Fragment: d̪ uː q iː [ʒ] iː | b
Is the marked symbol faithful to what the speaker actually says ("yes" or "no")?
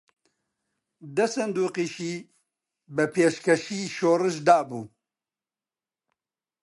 no